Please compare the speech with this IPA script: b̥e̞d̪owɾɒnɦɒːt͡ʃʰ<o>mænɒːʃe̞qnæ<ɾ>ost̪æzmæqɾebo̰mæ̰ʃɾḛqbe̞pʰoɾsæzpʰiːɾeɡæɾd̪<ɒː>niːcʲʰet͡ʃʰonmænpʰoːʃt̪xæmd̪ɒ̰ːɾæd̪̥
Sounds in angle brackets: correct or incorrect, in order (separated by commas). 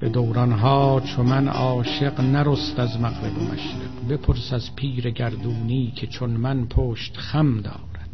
correct, correct, incorrect